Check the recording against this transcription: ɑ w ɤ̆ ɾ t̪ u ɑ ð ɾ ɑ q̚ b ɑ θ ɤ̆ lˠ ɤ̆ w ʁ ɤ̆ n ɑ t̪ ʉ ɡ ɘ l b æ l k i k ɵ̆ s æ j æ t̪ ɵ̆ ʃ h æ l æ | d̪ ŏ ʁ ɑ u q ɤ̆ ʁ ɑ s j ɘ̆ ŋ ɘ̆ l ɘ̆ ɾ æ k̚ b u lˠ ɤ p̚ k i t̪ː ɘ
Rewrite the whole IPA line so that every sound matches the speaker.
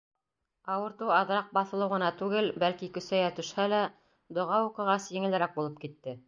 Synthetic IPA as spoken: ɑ w ɤ̆ ɾ t̪ u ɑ ð ɾ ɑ q̚ b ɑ θ ɤ̆ lˠ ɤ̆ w ʁ ɤ̆ n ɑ t̪ ʉ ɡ ɘ l b æ l k i k ɵ̆ s æ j æ t̪ ɵ̆ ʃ h æ l æ | d̪ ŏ ʁ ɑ u q ɤ̆ ʁ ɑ s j ɘ̆ ŋ ɘ̆ l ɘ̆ ɾ æ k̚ b u lˠ ɤ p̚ k i t̪ː ɘ